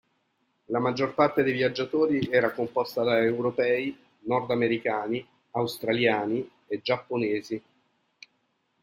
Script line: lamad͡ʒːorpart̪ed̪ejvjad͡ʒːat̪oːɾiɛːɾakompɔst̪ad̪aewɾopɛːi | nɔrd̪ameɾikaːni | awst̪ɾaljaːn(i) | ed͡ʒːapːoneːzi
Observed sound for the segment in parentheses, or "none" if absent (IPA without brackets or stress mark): i